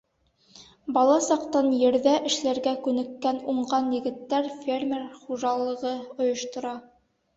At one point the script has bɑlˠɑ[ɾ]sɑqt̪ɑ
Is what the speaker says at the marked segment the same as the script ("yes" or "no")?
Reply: no